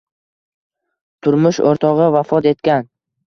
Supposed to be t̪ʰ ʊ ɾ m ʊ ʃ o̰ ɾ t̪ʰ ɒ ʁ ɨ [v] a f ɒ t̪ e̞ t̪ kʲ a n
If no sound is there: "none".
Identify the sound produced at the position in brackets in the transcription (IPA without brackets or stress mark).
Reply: v